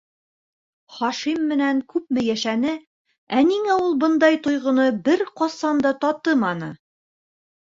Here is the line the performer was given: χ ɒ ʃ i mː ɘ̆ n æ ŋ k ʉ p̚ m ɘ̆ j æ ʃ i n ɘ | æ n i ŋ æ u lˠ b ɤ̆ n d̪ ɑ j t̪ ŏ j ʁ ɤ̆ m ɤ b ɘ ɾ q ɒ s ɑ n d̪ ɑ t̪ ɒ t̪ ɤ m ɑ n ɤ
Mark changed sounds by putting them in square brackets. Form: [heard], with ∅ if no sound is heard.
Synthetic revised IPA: χ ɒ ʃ i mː ɘ̆ n æ ŋ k ʉ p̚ m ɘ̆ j æ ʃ [æ] n ɘ | æ n i ŋ æ u lˠ b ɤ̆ n d̪ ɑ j t̪ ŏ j ʁ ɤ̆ [n] ɤ b ɘ ɾ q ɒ s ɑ n d̪ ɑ t̪ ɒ t̪ ɤ m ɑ n ɤ